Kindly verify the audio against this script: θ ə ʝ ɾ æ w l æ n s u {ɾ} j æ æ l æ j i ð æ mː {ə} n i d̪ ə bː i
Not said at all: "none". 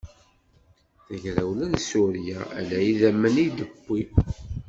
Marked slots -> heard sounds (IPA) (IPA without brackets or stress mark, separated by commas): ɾ, ə